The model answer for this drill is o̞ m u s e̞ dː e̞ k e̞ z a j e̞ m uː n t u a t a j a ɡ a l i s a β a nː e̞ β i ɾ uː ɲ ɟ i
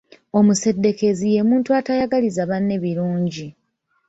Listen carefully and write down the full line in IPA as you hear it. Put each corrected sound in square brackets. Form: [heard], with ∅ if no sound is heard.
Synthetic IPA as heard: o̞ m u s e̞ dː e̞ k e̞ z [i] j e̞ m uː n t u a t a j a ɡ a l i [z] a β a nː e̞ β i ɾ uː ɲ ɟ i